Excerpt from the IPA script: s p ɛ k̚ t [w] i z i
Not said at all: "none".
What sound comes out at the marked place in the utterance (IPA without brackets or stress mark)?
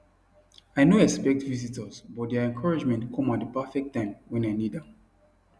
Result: v